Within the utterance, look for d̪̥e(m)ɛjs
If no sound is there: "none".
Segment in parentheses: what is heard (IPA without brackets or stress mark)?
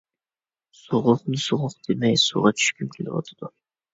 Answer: m